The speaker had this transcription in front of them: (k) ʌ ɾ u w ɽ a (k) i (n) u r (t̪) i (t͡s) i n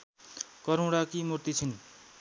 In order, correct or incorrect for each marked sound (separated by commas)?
correct, correct, incorrect, correct, incorrect